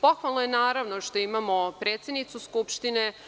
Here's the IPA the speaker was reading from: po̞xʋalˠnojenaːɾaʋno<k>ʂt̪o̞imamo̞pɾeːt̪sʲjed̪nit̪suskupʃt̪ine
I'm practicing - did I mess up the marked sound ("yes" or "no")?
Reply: yes